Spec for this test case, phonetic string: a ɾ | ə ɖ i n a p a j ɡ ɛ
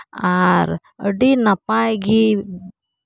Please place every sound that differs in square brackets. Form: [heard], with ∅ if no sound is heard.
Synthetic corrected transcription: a ɾ | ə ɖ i n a p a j ɡ [i]